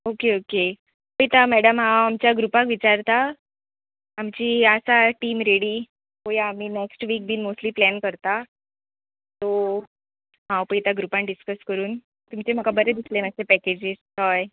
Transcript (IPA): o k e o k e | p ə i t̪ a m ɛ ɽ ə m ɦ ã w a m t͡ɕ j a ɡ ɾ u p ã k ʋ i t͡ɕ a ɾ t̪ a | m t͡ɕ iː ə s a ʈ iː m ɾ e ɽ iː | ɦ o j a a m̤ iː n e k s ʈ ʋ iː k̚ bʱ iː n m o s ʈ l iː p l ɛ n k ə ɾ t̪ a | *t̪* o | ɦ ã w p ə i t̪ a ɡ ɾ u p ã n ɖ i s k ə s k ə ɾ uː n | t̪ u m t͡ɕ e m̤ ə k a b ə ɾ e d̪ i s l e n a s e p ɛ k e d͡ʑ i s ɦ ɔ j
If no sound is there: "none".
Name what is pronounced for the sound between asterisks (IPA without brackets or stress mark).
t̪